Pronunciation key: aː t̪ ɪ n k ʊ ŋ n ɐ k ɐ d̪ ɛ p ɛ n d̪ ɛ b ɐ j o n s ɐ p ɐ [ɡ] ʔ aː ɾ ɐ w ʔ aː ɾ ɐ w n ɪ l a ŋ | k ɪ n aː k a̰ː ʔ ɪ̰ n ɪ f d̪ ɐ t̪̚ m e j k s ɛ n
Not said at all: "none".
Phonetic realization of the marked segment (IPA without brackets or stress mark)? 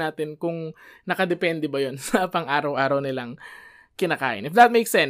ŋ